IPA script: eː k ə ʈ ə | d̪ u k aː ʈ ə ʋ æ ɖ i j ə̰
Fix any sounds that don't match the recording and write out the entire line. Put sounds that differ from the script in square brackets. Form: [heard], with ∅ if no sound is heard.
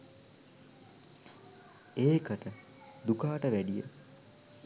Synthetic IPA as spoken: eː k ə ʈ ə | d̪ u k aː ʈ ə ʋ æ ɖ i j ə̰